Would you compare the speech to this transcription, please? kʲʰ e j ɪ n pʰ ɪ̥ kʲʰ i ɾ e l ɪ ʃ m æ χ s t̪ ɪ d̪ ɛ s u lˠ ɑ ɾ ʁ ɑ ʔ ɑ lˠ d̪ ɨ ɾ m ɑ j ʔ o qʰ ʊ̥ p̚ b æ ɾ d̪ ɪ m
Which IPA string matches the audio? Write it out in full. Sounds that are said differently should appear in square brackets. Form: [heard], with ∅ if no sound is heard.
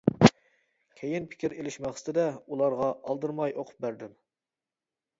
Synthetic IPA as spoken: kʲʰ e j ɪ n pʰ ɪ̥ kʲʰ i ɾ e l ɪ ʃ m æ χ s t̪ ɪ d̪ ɛ [∅] u lˠ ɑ ɾ ʁ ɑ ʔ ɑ lˠ d̪ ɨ ɾ m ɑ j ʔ o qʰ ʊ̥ p̚ b æ ɾ d̪ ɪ m